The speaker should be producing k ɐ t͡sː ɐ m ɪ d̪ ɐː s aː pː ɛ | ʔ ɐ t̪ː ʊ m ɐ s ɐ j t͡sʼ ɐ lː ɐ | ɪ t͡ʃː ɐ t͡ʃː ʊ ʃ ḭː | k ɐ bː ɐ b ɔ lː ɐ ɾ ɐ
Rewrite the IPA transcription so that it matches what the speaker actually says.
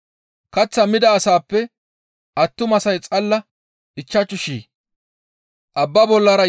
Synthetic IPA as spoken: k ɐ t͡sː ɐ m ɪ d̪ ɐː s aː pː ɛ | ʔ ɐ t̪ː ʊ m ɐ s ɐ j t͡sʼ ɐ lː ɐ | ɪ t͡ʃː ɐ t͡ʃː ʊ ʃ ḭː | ʔ ɐ bː ɐ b ɔ lː ɐ ɾ ɐ